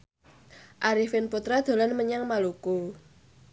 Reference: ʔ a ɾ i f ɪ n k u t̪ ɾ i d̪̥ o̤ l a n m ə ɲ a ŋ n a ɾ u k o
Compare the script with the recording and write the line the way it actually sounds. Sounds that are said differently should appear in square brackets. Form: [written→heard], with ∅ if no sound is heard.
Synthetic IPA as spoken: ʔ a ɾ i f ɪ n [k→p] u t̪ ɾ [i→a] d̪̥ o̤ l a n m ə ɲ a ŋ [n→m] a [ɾ→l] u k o